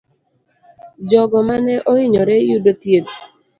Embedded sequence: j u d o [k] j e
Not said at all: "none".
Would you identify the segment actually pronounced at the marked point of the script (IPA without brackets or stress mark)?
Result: t